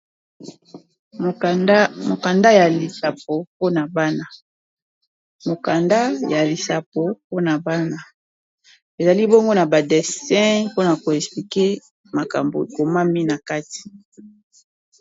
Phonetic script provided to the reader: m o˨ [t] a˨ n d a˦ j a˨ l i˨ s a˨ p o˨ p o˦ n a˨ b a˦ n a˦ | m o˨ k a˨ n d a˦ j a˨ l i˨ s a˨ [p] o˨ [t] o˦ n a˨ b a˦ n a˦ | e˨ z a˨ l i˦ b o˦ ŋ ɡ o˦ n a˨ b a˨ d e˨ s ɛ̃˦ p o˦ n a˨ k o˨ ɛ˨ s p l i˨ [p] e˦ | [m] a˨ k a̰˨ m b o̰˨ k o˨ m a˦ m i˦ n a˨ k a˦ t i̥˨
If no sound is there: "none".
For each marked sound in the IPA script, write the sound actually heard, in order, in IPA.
k, p, p, k, m

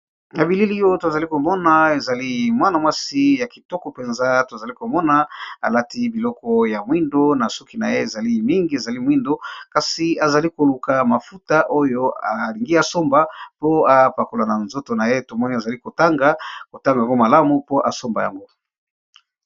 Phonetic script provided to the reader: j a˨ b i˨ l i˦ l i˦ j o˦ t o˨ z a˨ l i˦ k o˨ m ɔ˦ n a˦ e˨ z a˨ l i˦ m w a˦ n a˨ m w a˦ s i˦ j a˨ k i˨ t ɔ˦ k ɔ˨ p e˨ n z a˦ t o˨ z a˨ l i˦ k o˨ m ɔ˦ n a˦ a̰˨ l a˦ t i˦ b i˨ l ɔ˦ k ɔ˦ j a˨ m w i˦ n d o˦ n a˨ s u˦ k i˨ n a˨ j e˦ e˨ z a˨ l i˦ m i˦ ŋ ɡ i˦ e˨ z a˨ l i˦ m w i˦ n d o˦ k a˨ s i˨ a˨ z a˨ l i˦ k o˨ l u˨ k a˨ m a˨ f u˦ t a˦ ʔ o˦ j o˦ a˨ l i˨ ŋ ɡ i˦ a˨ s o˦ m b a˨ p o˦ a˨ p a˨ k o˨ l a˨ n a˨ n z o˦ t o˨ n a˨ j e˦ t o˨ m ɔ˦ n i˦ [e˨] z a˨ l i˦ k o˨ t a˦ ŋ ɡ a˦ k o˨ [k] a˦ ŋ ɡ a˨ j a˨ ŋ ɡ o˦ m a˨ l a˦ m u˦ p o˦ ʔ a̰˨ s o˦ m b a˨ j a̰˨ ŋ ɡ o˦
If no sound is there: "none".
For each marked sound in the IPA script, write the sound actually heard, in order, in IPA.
a˨, t

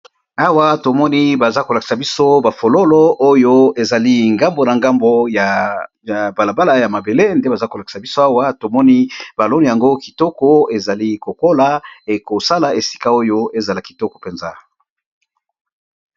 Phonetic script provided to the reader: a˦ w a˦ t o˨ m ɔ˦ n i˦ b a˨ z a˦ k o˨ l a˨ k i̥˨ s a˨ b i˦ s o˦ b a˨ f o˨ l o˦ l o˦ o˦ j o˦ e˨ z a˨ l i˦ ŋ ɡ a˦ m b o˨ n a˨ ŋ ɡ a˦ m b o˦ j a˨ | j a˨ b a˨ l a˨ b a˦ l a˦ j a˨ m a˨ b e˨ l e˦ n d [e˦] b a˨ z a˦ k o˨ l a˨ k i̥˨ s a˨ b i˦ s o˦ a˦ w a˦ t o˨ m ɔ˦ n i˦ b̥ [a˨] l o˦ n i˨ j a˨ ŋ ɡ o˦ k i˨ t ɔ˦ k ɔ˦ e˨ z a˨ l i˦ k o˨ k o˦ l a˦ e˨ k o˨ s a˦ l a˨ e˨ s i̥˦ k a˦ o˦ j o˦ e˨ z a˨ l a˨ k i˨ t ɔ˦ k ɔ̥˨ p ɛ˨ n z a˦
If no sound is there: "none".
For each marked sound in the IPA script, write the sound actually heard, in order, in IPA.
e˦, a˨

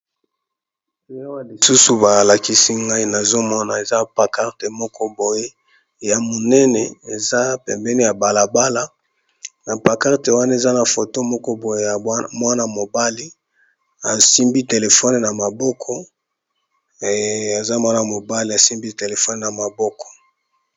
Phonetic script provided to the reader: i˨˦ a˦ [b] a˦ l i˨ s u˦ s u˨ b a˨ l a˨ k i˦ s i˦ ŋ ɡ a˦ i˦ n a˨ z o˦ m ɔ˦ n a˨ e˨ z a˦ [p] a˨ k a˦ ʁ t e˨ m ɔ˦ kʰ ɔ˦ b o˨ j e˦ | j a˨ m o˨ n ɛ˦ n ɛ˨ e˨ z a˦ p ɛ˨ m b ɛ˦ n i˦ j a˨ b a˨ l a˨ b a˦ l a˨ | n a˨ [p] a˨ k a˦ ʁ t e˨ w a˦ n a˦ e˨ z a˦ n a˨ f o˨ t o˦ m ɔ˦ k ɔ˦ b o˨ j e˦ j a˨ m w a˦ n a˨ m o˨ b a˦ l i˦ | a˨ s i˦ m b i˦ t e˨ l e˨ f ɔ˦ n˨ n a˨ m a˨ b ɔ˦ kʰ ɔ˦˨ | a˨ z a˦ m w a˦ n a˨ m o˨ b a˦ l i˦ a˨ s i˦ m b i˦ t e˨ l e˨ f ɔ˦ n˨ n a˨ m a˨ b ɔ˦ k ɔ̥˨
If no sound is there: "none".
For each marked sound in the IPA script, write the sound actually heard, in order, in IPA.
w, p, p

